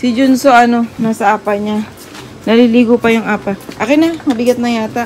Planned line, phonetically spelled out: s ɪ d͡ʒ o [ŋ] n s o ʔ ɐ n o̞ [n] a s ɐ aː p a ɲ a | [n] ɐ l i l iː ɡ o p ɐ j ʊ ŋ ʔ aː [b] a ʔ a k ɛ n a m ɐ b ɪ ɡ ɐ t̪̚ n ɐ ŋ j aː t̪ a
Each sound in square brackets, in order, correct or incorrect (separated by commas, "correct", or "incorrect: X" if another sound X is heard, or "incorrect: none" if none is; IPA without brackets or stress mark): incorrect: none, correct, correct, incorrect: p